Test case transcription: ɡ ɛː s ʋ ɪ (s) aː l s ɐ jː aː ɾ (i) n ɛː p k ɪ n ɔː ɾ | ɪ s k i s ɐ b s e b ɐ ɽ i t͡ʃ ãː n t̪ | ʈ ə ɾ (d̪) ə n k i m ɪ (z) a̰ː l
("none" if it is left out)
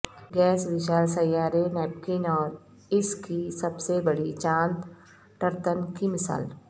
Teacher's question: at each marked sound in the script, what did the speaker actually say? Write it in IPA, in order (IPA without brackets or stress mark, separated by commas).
ʃ, e, t̪, s